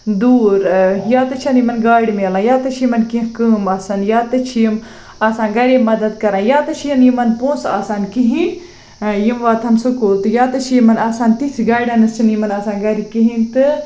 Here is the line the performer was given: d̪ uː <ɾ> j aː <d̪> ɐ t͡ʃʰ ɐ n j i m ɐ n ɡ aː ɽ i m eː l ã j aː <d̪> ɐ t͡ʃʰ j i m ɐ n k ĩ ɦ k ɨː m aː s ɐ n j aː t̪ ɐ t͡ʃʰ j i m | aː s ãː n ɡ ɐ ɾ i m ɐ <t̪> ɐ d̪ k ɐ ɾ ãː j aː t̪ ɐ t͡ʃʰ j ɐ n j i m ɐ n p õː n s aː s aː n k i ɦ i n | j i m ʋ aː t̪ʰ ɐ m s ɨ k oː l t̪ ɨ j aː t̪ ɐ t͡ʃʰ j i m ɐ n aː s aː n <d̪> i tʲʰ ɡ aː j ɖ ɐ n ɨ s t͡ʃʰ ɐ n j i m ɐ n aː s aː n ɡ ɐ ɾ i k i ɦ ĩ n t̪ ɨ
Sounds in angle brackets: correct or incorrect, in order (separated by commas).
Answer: correct, incorrect, incorrect, incorrect, incorrect